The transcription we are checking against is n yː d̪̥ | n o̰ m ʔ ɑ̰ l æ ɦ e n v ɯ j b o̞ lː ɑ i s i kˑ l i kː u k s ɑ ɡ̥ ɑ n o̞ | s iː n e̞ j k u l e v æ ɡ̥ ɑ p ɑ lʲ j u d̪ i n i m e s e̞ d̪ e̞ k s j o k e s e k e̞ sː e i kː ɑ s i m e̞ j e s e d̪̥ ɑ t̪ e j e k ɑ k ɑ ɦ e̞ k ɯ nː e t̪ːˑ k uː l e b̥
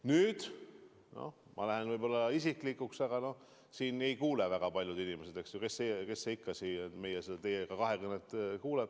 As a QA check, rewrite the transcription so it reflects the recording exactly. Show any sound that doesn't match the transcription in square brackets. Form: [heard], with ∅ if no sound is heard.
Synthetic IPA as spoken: n yː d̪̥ | n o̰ m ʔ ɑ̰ l æ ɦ e n v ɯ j b o̞ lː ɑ i s i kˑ l i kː u k s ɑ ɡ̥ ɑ n o̞ | s iː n e̞ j k [uː] l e v æ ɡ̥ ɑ p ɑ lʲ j u d̪ i n i m e s e̞ d̪ e̞ k s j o k e s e k e̞ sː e i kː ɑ s i m e̞ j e s e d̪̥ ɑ t̪ e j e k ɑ k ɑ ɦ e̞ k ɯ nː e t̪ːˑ k uː l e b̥